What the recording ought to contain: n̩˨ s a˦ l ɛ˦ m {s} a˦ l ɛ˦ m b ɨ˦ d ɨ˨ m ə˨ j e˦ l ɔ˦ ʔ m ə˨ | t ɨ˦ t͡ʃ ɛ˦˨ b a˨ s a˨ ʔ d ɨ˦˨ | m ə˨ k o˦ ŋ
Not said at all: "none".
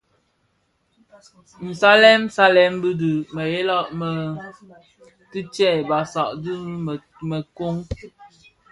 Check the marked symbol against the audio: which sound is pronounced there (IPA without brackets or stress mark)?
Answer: s